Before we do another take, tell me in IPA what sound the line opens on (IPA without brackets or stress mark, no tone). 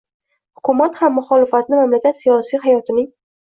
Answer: h